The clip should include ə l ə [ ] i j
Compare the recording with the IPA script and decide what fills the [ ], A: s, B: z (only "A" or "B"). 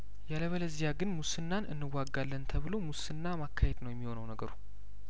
B